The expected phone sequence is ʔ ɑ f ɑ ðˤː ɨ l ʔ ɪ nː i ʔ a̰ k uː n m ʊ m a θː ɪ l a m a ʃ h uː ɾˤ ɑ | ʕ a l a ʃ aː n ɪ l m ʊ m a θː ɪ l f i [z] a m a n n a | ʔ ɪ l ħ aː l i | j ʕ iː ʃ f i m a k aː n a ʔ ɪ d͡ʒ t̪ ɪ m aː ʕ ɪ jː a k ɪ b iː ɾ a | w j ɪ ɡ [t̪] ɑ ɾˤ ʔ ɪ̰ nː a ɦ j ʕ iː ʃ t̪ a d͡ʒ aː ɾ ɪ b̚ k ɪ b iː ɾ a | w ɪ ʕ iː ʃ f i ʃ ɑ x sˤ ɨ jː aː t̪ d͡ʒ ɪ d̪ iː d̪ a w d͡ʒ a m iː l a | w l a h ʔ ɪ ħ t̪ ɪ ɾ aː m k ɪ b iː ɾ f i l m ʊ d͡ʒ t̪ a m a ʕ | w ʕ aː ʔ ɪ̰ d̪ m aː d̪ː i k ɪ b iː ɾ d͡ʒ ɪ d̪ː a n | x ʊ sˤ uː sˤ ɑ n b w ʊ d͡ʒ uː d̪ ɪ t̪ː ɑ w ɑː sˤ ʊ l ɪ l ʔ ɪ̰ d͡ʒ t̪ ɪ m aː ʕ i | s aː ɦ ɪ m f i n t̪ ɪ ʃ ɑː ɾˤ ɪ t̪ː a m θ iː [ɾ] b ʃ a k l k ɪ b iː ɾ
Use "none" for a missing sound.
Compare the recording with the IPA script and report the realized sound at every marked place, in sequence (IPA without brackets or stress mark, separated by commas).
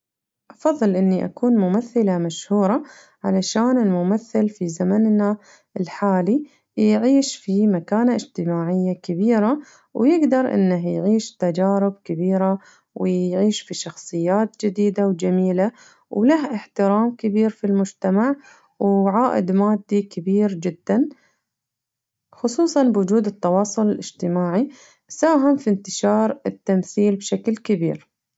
z, d̪, l